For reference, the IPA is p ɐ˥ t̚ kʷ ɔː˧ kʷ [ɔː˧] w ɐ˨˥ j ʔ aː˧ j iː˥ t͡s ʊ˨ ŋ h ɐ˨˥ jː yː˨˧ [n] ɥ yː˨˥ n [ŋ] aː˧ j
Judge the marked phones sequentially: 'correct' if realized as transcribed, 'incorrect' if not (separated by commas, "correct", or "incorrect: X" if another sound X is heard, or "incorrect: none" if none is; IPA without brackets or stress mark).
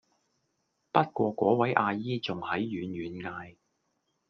incorrect: ɔː˨˥, correct, correct